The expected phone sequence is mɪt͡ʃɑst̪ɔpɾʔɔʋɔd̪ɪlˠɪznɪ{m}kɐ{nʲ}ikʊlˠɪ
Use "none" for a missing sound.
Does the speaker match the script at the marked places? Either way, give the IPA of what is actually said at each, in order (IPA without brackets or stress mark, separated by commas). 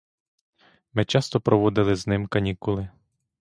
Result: m, nʲ